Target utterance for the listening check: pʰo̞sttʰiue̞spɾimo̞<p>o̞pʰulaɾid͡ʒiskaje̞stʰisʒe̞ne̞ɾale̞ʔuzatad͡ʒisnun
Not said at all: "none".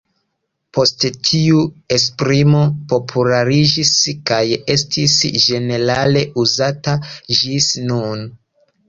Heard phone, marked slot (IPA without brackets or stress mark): p